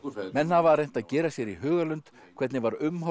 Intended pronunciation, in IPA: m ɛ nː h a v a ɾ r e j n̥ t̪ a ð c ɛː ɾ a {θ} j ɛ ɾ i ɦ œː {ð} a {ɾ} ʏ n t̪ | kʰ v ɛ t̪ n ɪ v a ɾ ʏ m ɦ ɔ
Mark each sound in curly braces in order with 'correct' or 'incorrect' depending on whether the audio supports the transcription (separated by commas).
incorrect, incorrect, incorrect